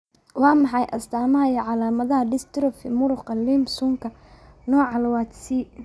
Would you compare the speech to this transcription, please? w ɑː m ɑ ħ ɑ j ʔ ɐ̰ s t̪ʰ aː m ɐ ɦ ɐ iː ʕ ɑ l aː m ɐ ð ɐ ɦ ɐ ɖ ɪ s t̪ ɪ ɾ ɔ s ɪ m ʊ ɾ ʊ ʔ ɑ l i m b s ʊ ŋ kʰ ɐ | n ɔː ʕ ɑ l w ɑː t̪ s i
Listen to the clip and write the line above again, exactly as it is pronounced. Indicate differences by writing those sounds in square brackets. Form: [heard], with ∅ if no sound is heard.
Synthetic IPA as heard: w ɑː m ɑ ħ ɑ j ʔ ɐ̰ s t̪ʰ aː m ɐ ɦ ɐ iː ʕ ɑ l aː m ɐ ð ɐ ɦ ɐ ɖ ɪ s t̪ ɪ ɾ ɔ [f] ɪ m ʊ ɾ ʊ [q] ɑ l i m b s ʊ ŋ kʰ ɐ | n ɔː ʕ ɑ l w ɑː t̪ s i